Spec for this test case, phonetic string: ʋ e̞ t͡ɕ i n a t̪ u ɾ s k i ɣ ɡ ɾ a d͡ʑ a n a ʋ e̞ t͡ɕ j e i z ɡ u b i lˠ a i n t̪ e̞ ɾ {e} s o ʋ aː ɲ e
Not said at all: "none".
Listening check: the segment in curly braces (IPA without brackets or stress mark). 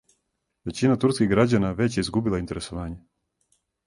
e